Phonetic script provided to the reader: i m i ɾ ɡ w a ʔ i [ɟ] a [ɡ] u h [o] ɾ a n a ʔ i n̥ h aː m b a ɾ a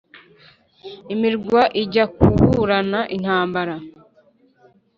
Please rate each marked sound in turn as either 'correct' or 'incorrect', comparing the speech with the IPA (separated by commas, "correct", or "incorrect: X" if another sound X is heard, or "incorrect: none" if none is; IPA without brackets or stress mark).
correct, incorrect: k, incorrect: u